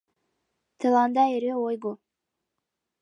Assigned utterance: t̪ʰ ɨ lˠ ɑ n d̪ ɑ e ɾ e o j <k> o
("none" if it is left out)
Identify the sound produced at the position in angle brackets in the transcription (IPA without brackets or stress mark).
ɡ